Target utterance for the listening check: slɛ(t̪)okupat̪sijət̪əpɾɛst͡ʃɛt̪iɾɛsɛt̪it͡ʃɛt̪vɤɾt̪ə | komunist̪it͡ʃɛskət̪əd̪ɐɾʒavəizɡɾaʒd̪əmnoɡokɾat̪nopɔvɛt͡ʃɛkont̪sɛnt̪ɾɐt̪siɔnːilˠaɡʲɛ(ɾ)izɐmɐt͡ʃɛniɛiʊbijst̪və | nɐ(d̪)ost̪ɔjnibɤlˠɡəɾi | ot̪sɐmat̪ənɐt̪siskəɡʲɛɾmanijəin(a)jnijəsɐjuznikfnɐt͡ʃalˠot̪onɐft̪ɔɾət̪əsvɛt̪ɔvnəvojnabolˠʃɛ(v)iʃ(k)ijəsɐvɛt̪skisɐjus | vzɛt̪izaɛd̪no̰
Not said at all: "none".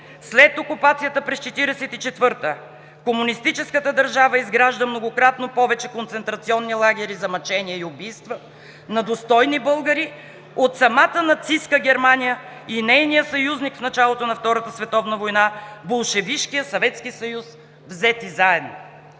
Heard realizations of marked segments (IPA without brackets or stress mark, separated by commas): t̪, ɾ, d̪, ɛ, v, k